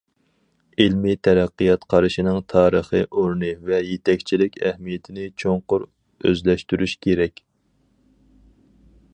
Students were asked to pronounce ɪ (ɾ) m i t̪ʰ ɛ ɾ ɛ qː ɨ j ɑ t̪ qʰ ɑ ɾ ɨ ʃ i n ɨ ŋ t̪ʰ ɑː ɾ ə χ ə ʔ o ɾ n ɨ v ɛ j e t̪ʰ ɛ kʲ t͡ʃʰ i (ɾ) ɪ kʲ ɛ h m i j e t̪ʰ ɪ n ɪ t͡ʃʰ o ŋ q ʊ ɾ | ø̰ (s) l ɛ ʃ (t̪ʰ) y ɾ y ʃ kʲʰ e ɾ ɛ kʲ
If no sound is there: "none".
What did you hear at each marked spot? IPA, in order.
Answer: l, l, z, t̪

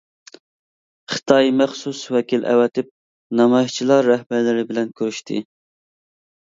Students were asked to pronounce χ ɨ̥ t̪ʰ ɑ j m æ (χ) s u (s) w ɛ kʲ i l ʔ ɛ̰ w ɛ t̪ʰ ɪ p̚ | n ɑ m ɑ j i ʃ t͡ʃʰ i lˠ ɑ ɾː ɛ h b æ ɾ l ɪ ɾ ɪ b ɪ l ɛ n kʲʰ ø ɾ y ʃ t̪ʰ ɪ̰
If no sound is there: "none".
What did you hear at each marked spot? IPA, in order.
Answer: χ, s

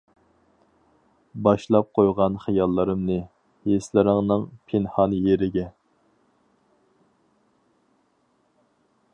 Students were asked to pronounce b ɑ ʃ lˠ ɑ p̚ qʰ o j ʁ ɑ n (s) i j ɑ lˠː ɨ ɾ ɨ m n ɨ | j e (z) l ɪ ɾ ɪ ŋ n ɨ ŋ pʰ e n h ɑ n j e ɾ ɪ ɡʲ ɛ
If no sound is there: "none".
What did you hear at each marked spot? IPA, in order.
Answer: χ, s

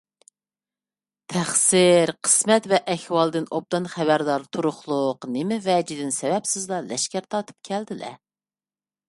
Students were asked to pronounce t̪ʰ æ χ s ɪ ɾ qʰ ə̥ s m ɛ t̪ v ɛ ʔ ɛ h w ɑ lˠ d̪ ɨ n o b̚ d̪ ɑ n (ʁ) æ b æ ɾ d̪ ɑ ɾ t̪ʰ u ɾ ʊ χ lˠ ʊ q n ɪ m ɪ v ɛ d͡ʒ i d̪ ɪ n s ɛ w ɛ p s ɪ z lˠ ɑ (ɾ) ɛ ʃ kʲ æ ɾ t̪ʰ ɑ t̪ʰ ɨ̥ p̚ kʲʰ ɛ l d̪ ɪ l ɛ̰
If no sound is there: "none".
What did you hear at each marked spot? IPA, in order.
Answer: χ, l

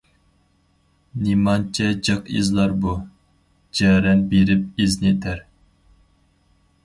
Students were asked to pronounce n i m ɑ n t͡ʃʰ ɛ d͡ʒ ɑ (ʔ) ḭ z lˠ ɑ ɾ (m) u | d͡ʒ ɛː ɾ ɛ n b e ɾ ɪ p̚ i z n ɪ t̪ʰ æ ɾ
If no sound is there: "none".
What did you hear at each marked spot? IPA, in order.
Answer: q, b

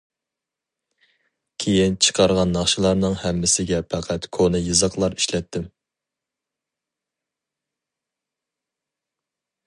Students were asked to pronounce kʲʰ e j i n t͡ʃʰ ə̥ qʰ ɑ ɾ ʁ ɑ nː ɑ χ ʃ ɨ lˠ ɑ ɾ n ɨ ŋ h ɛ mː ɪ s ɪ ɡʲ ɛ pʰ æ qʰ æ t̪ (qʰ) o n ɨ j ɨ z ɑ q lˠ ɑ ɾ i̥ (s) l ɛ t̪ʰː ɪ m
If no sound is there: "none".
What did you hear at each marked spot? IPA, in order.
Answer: kʰ, ʃ

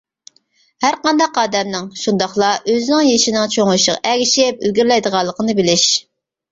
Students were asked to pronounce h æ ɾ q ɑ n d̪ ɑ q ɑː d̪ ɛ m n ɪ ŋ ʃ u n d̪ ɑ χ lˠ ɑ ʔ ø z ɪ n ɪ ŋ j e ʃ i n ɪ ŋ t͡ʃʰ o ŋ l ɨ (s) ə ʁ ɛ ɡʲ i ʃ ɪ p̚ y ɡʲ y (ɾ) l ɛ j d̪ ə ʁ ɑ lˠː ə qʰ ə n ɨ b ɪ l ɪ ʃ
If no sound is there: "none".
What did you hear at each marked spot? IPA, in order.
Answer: ʃ, ɾ

